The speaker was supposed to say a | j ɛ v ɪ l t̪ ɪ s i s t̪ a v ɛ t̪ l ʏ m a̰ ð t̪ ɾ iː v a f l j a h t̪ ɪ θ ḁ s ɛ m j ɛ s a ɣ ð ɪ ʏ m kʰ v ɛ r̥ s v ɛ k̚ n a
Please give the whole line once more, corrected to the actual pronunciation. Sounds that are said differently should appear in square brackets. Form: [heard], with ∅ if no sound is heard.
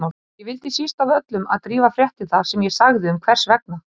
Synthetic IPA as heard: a | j ɛ v ɪ l t̪ ɪ s i s t̪ a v [œ] t̪ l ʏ m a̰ ð t̪ ɾ iː v a f [ɾ] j [ɛ] h t̪ ɪ θ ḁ s ɛ m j ɛ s a ɣ ð ɪ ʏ m kʰ v ɛ r̥ s v ɛ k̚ n a